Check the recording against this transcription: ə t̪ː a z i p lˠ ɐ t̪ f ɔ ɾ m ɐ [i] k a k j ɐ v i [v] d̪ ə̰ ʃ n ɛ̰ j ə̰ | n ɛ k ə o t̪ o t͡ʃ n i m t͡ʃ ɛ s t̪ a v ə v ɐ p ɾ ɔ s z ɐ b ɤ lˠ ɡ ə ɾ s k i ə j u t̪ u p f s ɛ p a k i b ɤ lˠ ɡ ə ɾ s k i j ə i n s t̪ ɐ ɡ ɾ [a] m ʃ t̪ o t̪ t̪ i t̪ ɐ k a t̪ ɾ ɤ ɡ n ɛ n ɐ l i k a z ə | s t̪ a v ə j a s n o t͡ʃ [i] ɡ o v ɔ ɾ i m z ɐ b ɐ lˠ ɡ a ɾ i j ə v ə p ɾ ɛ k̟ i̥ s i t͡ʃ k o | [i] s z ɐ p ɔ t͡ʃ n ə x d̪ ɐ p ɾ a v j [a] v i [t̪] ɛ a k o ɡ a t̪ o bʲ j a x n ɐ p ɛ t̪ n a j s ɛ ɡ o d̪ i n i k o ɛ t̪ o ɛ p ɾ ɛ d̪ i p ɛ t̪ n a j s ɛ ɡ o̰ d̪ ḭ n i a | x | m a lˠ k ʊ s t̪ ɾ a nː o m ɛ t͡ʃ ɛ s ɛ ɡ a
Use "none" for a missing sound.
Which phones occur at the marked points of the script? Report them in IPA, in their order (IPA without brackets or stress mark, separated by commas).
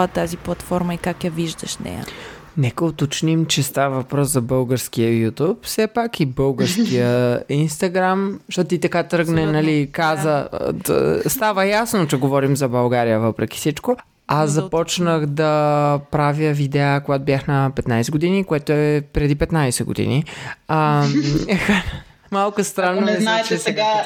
i, ʒ, a, ɛ, a, ə, d̪